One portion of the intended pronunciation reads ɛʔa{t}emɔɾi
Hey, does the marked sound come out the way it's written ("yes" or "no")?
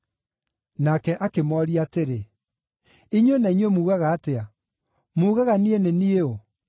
no